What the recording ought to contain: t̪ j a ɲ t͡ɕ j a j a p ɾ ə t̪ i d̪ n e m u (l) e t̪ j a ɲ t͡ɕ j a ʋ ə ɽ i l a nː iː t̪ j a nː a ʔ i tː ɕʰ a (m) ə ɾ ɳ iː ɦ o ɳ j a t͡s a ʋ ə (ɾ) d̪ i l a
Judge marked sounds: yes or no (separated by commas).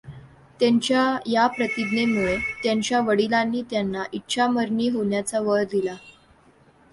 no, yes, no